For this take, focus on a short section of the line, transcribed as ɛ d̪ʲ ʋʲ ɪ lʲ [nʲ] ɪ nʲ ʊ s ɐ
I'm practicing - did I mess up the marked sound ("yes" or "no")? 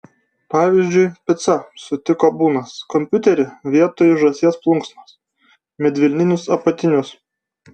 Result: no